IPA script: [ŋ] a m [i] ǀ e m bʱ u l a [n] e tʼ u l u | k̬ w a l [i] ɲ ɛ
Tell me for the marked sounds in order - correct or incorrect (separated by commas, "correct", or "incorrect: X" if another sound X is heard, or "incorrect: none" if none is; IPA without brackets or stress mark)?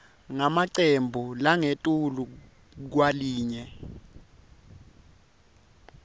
correct, incorrect: a, incorrect: ŋ, incorrect: iː